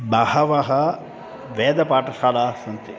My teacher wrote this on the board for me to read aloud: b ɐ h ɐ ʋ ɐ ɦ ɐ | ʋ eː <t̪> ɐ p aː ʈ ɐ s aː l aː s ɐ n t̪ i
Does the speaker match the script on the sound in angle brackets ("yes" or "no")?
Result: no